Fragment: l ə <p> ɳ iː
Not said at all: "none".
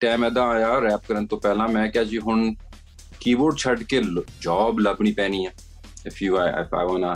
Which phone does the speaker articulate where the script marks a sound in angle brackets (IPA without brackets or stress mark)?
b